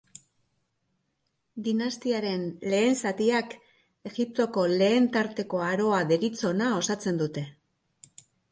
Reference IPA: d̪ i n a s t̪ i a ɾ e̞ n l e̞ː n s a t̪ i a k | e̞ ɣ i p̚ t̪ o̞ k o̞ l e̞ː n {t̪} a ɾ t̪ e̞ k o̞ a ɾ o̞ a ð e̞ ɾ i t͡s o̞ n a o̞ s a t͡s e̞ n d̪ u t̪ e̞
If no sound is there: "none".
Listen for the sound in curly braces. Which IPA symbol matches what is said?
t̪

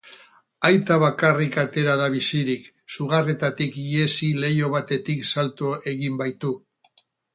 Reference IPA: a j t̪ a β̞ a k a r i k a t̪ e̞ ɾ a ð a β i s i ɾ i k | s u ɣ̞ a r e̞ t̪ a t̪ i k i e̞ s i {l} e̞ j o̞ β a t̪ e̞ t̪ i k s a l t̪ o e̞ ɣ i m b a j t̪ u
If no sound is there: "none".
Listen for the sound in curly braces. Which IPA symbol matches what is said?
l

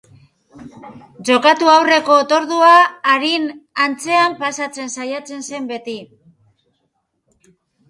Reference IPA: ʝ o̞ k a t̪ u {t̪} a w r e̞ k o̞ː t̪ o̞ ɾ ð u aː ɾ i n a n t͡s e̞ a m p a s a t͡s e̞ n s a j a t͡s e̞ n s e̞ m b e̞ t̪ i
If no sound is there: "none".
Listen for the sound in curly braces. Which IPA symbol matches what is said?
none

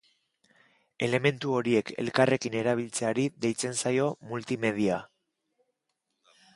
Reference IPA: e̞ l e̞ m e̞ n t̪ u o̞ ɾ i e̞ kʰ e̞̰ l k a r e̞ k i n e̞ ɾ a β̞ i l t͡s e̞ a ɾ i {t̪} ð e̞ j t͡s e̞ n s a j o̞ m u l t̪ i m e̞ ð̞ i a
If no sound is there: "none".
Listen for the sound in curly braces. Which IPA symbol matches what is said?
none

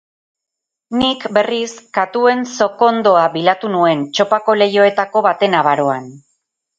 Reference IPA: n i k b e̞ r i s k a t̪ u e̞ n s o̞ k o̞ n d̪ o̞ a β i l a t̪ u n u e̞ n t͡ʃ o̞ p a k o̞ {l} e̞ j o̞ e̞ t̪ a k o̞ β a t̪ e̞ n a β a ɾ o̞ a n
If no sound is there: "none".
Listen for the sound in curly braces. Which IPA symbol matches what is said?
l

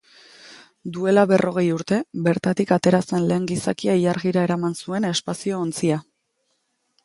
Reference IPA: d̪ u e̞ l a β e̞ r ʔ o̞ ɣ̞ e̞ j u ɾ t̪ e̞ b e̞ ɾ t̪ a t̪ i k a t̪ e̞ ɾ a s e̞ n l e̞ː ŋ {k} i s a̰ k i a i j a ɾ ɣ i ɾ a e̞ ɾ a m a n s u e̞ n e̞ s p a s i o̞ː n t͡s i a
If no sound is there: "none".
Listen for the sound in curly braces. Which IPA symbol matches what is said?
ɡ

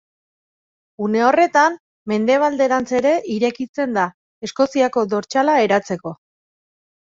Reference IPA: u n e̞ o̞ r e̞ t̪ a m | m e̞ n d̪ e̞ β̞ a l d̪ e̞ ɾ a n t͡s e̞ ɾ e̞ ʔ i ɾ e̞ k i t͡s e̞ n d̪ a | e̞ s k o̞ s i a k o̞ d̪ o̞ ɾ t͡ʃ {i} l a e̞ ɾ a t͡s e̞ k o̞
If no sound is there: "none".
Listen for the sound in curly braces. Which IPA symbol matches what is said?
a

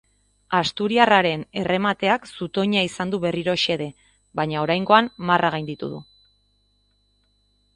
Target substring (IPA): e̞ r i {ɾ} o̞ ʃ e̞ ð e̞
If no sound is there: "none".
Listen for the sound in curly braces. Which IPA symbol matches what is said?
ɾ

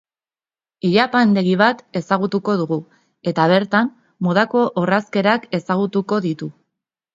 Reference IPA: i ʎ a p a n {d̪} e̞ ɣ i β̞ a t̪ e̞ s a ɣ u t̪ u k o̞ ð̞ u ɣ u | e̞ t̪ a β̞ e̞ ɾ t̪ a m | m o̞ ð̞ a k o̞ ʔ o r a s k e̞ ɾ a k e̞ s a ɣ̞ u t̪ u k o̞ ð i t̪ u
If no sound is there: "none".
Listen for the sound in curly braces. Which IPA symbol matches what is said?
d̪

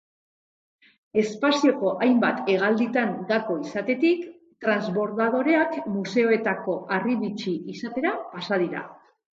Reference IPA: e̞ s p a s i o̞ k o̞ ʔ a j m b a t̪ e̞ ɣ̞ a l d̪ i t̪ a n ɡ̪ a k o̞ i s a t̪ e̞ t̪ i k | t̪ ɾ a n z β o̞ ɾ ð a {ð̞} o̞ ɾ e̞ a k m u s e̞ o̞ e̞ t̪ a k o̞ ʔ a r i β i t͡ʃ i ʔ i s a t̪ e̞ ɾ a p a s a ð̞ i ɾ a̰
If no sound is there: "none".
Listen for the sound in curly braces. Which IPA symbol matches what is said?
ð̞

